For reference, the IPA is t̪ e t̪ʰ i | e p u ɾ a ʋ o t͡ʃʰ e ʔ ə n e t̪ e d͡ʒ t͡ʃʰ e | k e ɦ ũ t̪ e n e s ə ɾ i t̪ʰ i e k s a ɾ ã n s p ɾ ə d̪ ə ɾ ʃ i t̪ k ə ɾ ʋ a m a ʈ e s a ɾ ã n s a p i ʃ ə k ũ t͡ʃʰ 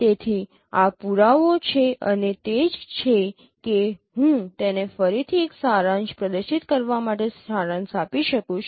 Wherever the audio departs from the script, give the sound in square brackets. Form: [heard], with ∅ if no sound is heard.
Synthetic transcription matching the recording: t̪ e t̪ʰ i | [a] p u ɾ a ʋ o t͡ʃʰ e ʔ ə n e t̪ e d͡ʒ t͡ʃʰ e | k e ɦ ũ t̪ e n e [f] ə ɾ i t̪ʰ i e k s a ɾ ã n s p ɾ ə d̪ ə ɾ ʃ i t̪ k ə ɾ ʋ a m a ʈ e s a ɾ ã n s a p i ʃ ə k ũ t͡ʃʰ